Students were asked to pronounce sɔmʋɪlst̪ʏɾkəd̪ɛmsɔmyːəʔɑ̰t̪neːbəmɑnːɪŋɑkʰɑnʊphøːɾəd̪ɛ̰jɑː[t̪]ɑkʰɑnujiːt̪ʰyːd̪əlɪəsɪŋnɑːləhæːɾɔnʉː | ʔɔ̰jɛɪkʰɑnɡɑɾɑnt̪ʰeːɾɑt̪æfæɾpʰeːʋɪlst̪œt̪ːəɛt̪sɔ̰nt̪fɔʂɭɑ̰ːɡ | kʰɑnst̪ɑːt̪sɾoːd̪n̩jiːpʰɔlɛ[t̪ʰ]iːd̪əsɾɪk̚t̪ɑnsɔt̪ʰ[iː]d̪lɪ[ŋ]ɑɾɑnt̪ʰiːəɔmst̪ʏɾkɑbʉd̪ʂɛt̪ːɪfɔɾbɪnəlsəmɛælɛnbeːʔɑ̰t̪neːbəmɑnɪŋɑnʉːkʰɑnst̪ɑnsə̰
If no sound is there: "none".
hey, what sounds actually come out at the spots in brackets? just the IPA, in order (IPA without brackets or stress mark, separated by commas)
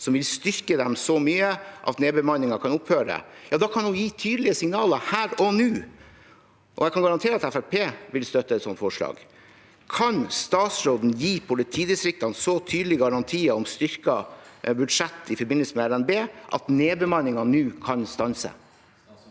d̪, t̪ʰ, yː, ɡ